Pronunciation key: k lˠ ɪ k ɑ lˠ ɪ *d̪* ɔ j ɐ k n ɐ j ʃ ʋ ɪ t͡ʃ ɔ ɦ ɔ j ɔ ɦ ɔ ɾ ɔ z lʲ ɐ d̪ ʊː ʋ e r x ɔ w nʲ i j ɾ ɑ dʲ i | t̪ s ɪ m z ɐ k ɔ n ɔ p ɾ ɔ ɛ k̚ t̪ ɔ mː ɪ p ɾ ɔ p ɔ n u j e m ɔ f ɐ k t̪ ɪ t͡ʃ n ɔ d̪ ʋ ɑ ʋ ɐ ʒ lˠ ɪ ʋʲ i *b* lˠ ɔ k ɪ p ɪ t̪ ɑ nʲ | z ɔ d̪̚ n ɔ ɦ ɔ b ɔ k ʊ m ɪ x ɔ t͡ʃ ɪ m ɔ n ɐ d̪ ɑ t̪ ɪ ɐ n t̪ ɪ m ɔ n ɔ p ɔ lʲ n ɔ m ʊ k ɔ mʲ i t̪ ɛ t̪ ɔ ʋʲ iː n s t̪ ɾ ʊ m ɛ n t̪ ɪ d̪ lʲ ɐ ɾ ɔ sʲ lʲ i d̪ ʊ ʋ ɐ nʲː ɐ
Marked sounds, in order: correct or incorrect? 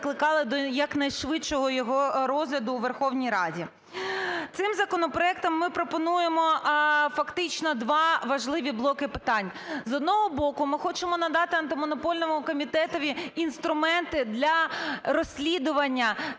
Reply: correct, correct

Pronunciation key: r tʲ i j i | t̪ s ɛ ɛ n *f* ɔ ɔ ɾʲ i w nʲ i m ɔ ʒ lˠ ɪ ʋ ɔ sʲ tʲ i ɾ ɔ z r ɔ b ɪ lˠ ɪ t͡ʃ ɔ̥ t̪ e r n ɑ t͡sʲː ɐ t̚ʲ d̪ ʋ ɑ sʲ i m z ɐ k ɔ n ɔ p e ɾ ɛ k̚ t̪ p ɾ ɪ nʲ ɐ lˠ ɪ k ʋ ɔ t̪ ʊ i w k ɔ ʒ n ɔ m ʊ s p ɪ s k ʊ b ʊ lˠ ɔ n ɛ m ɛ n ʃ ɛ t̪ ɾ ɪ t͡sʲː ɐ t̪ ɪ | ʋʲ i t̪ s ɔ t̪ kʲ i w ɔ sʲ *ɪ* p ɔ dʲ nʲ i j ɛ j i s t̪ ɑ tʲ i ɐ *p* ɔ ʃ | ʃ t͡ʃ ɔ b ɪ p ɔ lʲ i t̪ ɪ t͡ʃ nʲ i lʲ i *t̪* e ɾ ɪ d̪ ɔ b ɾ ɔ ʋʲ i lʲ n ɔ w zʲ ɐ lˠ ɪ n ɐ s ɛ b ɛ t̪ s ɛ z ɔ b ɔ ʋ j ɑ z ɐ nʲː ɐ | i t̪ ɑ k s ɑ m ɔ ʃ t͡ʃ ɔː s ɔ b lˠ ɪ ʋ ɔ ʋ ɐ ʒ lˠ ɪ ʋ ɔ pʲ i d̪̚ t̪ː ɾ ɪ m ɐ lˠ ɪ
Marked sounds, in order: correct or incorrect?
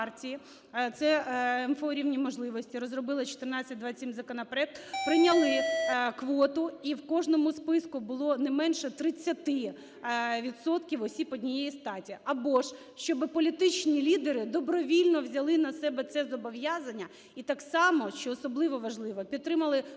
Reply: correct, incorrect: i, incorrect: b, incorrect: d̪

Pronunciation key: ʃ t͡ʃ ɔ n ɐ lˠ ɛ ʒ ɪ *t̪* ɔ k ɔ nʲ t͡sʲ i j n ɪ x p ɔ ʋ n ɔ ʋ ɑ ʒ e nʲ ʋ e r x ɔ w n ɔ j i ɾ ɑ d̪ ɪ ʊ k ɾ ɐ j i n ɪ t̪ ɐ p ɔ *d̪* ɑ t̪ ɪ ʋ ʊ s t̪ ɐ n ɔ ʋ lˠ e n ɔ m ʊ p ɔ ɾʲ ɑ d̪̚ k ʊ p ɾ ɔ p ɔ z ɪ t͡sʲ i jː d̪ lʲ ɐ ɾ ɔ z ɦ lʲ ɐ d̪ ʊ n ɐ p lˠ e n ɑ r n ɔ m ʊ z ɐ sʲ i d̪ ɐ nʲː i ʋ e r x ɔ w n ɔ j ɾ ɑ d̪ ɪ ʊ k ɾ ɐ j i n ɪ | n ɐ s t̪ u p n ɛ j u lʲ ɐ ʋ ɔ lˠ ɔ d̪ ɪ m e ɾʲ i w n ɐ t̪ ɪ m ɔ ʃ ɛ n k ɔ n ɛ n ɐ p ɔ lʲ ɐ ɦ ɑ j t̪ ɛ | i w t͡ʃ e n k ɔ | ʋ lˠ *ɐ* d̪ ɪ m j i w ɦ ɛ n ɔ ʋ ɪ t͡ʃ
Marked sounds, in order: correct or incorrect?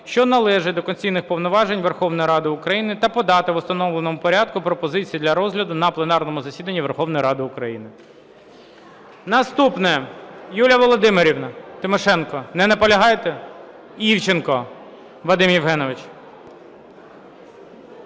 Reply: incorrect: d̪, correct, correct

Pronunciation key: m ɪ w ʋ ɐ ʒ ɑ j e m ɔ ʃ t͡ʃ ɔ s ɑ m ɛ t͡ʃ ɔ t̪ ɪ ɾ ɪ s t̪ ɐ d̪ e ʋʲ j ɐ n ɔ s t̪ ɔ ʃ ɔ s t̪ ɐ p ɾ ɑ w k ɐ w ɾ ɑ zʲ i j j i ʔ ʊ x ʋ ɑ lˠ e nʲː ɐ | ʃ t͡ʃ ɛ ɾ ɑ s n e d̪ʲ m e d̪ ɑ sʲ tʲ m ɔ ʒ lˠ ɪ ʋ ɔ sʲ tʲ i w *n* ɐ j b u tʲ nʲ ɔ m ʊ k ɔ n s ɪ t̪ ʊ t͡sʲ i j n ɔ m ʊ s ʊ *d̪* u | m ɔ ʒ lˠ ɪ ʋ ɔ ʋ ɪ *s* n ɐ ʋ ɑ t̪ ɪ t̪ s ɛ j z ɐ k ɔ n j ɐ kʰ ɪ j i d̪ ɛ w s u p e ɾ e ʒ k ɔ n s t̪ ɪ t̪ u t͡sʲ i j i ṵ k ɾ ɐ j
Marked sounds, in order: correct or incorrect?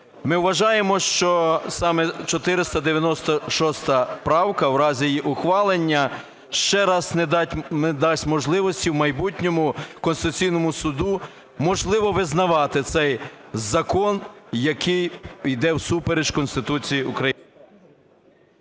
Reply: incorrect: m, correct, incorrect: z

